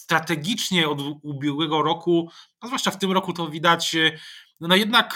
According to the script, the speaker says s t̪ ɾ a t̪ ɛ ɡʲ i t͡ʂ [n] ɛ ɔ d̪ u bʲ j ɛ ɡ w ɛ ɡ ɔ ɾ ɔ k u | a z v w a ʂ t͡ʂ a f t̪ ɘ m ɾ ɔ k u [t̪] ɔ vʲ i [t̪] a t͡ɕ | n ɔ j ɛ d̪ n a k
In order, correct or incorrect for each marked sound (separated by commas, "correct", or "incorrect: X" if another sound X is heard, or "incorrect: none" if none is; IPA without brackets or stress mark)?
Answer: incorrect: ɲ, correct, incorrect: d̪